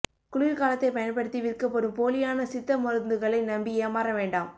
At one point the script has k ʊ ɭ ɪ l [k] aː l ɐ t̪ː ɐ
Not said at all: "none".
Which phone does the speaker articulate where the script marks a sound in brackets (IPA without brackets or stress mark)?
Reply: k